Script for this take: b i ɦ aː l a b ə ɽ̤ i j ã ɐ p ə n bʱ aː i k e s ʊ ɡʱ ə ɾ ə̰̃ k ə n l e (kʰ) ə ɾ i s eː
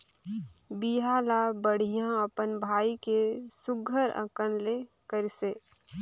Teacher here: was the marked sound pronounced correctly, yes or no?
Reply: no